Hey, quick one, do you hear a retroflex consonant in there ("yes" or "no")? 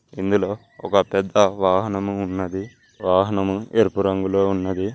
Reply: no